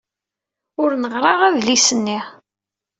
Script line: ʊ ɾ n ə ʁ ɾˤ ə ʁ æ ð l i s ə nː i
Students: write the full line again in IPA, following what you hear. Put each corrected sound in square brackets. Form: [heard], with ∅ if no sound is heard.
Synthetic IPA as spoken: ʊ ɾ n ə ʁ ɾˤ [ɑ] ʁ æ ð l i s ə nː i